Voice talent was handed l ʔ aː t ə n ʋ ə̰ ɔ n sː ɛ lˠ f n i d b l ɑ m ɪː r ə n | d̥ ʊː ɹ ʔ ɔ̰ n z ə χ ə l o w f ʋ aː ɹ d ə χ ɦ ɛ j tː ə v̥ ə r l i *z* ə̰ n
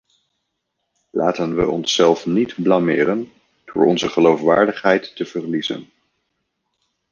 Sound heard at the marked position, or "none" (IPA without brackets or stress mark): z